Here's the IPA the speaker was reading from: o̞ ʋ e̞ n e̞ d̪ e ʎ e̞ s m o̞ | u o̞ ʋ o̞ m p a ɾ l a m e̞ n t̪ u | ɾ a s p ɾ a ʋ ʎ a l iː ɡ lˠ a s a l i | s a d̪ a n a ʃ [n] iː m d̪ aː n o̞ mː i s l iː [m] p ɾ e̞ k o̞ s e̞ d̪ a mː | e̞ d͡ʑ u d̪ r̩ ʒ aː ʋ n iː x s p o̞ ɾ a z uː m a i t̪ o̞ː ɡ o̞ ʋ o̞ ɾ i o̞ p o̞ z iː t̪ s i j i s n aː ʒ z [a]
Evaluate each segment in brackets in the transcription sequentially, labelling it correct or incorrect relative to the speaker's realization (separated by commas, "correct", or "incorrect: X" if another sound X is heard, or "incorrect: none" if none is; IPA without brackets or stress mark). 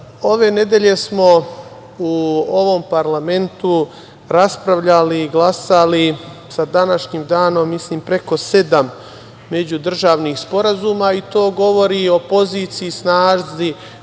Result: incorrect: ɲ, correct, incorrect: i